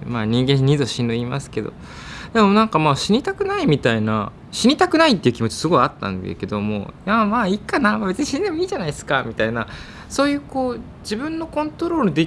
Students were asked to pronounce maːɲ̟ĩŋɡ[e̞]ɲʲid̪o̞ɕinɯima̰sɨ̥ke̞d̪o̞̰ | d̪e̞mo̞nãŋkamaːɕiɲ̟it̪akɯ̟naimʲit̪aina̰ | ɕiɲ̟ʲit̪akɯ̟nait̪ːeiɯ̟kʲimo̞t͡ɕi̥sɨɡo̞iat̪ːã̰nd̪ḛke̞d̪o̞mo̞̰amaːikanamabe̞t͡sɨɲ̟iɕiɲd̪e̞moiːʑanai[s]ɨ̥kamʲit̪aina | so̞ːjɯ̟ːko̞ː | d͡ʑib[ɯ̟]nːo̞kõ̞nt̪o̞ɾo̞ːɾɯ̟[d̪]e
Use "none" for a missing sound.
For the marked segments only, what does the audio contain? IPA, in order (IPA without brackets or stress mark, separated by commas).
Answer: ẽ̞, s, ɯ̟̃, d̪